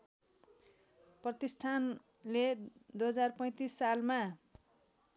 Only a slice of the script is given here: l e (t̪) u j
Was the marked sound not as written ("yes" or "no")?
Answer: yes